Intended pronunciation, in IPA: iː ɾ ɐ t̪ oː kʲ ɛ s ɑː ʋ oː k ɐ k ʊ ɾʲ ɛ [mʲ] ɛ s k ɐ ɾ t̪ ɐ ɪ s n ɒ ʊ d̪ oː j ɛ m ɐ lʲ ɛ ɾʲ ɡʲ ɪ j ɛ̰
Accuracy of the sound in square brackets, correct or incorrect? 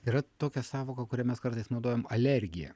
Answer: correct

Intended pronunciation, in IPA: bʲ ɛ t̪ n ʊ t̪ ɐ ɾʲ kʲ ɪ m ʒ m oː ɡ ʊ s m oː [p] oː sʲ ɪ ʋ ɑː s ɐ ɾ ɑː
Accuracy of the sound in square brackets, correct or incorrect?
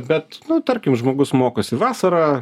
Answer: incorrect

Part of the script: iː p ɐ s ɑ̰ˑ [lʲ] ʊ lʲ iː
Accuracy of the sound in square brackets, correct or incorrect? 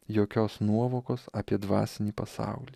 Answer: incorrect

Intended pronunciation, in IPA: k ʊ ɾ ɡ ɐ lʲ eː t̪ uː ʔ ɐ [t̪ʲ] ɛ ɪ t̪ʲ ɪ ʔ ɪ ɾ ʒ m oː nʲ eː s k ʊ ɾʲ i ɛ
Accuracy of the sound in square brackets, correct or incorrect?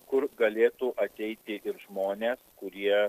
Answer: correct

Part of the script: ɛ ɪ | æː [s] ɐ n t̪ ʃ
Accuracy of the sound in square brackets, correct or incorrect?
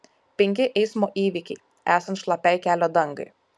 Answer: correct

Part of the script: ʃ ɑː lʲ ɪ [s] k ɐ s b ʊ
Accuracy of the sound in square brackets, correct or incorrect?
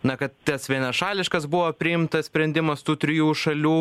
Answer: incorrect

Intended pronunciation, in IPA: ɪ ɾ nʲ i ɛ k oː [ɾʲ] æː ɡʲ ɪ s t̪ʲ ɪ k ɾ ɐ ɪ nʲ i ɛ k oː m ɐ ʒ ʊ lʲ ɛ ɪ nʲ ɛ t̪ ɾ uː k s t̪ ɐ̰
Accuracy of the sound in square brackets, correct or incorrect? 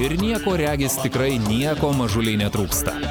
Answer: correct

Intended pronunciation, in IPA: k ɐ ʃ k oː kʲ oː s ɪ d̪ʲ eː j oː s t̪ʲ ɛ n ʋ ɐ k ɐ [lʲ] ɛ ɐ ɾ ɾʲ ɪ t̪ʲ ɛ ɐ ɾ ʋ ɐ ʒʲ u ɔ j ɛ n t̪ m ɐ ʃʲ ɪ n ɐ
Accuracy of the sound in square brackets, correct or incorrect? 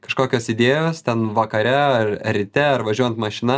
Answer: incorrect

